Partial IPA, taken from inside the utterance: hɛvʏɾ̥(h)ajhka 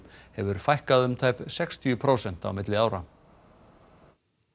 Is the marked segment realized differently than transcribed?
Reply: yes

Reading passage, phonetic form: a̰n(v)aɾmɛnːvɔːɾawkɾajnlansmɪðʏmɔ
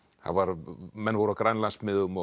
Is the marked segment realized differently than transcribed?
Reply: no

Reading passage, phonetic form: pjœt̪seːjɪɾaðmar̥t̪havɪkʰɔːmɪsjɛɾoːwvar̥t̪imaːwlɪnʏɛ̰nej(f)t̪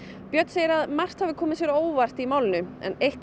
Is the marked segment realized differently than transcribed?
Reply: yes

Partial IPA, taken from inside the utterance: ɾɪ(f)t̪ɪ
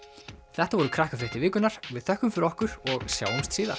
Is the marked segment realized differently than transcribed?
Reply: yes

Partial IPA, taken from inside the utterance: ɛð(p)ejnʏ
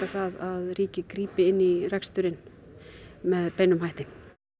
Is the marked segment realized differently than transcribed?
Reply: no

